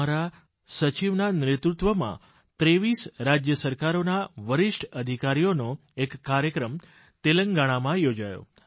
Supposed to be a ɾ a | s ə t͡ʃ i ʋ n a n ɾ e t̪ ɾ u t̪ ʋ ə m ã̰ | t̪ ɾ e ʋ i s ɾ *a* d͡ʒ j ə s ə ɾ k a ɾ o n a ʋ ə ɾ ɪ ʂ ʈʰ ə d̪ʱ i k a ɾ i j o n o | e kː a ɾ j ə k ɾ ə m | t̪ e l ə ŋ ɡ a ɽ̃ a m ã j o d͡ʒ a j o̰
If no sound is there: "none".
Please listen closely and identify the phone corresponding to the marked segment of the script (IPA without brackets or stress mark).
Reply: a